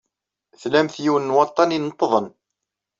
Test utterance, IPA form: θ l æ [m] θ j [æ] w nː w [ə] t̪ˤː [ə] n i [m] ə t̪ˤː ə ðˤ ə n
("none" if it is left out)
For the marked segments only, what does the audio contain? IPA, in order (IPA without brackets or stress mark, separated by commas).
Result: m, i, ɑ, ɑ, n